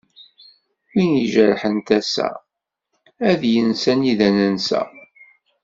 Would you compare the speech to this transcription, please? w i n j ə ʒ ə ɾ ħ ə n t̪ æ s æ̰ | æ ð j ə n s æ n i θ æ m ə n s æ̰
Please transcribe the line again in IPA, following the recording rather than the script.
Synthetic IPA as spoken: w i n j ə ʒ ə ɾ ħ ə n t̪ æ s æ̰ | æ ð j ə n s æ n i ð æ n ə n s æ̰